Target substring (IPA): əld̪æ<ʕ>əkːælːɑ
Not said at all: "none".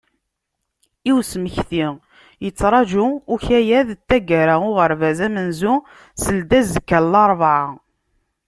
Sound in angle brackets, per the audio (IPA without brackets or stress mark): z